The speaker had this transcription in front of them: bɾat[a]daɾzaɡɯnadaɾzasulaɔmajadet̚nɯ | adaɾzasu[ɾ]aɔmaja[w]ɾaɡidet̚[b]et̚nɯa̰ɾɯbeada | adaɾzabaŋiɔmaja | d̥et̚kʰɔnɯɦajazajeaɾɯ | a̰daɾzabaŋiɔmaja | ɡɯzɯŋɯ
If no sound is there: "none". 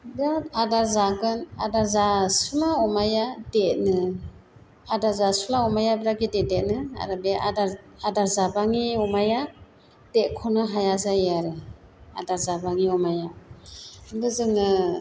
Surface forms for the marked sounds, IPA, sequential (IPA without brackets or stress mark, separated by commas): a, l, b, d